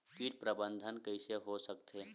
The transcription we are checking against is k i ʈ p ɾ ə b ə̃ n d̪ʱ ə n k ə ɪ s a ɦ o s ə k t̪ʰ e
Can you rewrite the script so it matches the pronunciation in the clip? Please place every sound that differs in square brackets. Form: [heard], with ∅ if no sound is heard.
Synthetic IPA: k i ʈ p ɾ ə b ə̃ n d̪ʱ ə n k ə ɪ s [e] ɦ o s ə k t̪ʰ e

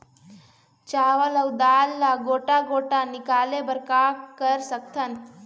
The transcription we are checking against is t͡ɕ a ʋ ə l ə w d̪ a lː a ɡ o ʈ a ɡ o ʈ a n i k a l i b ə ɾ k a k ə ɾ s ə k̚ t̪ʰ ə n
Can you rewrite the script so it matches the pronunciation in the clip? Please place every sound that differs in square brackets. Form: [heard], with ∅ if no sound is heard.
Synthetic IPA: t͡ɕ a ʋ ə l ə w d̪ a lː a ɡ o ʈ a ɡ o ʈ a n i k a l [e] b ə ɾ k a k ə ɾ s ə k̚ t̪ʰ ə n

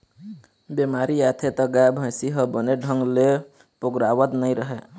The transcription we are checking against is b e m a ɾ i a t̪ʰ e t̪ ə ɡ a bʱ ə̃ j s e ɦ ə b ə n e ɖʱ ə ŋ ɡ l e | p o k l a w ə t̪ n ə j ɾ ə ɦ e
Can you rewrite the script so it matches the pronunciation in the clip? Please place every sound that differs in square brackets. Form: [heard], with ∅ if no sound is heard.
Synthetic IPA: b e m a ɾ i a t̪ʰ e t̪ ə ɡ a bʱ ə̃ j s [i] ɦ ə b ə n e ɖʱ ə ŋ ɡ l e | p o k [ɾ] a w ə t̪ n ə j ɾ ə ɦ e

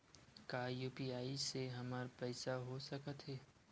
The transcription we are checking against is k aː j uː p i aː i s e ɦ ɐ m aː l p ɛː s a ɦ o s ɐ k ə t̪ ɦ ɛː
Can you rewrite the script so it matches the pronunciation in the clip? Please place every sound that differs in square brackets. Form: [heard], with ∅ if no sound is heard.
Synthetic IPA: k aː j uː p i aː i s e ɦ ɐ m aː [ɾ] p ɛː s a ɦ o s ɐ k ə t̪ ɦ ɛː

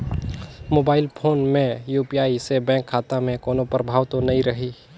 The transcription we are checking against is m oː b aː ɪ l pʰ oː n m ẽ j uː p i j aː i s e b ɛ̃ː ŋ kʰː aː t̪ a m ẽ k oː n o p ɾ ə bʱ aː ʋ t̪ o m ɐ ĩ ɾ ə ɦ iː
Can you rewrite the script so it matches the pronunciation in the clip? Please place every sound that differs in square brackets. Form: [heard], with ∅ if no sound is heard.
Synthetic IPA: m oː b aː ɪ l pʰ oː n m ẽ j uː p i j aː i s e b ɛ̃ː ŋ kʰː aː t̪ a m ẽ k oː n o p ɾ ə bʱ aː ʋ t̪ o [n] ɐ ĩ ɾ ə ɦ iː

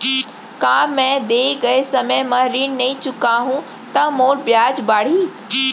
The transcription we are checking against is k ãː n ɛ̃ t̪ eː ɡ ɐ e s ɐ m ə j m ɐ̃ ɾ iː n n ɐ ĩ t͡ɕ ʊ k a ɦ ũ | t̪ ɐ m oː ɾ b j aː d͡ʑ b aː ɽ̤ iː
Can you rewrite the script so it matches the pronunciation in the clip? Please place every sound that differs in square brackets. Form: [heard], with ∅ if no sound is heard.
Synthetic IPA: k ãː [m] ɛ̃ [d̪] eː ɡ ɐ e s ɐ m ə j m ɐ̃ ɾ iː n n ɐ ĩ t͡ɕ ʊ k a ɦ ũ | t̪ ɐ m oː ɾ b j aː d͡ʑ b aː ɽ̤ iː

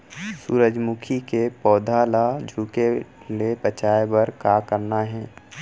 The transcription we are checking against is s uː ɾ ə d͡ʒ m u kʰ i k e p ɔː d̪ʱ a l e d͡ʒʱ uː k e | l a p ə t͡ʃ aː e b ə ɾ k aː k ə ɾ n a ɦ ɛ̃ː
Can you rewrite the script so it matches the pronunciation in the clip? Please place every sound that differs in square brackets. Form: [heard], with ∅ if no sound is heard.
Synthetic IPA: s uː ɾ ə d͡ʒ m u kʰ i k e p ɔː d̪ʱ a l [a] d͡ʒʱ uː k e | l [e] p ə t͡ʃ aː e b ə ɾ k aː k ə ɾ n a ɦ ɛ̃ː

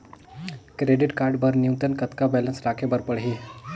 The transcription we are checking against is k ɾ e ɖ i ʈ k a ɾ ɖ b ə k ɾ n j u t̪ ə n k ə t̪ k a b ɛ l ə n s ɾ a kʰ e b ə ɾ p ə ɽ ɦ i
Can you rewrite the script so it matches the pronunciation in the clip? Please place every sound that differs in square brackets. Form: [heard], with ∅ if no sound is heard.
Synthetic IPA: k ɾ e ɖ i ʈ k a ɾ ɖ b ə [∅] ɾ n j u t̪ ə n k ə t̪ k a b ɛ l ə n s ɾ a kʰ e b ə ɾ p ə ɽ ɦ i

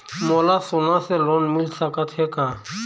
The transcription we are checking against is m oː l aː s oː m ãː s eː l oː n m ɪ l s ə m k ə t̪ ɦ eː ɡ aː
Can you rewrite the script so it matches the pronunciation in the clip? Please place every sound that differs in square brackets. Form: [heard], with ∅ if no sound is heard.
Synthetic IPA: m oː l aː s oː [n] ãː s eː l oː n m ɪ l s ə [∅] k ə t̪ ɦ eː [k] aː

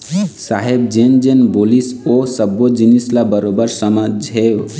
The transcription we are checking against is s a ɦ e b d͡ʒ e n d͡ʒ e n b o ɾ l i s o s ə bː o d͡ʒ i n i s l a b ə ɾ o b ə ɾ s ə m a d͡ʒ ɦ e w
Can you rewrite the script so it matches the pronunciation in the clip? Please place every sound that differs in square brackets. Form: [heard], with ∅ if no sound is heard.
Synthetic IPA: s a ɦ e b d͡ʒ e n d͡ʒ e n b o [∅] l i s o s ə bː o d͡ʒ i n i s l a b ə ɾ o b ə ɾ s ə m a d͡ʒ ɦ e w

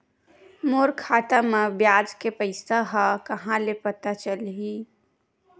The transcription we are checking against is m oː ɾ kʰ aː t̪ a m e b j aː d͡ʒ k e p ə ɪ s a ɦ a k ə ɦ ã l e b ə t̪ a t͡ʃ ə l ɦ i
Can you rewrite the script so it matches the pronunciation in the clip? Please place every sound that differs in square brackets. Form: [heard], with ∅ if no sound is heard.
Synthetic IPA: m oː ɾ kʰ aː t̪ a m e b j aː d͡ʒ k e p ə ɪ s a ɦ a k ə ɦ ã l e [p] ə t̪ a t͡ʃ ə l ɦ i

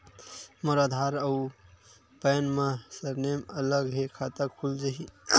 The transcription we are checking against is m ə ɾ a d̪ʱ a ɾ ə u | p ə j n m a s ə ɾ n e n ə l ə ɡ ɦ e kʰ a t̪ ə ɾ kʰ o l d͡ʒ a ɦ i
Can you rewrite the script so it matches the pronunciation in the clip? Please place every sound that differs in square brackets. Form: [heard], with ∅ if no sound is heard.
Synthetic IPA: m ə ɾ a d̪ʱ a ɾ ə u | p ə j n m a s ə ɾ n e [m] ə l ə ɡ ɦ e kʰ a t̪ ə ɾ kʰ [u] l d͡ʒ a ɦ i

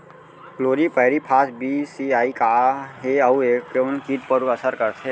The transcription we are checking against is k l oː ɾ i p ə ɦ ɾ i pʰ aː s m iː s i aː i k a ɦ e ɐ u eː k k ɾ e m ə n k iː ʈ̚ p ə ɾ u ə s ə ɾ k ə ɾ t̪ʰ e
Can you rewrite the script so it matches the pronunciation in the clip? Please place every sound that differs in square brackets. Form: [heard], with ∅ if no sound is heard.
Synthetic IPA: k l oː ɾ i p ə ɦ ɾ i pʰ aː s [b] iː s i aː i k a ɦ e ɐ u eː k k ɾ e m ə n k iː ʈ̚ p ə ɾ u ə s ə ɾ k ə ɾ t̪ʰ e

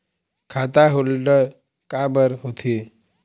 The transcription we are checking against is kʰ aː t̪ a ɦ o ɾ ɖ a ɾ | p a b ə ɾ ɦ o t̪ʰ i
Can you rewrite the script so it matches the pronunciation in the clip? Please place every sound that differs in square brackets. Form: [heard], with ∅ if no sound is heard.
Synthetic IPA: kʰ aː t̪ a ɦ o [l] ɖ [ə] ɾ | [k] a b ə ɾ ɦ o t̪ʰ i

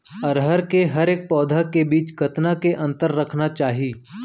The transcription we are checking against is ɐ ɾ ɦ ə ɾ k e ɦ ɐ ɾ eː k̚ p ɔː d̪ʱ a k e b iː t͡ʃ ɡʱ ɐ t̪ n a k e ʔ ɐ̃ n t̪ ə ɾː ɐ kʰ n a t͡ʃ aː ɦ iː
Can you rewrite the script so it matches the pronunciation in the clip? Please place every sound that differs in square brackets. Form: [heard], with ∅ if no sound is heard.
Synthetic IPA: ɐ ɾ ɦ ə ɾ k e ɦ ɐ ɾ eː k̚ p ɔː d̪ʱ a k e b iː t͡ʃ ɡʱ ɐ t̪ n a k e ʔ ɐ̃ n t̪ ə ɾː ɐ kʰ n a t͡ʃ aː ɦ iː

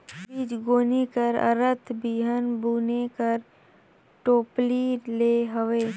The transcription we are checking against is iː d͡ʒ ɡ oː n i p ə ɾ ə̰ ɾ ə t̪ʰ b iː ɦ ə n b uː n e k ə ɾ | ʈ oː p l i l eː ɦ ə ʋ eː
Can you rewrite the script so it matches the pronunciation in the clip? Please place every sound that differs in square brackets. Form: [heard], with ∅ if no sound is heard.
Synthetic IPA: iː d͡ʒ ɡ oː n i [k] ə ɾ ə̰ ɾ ə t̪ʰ b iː ɦ ə n b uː n e k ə ɾ | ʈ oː p l i l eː ɦ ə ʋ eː

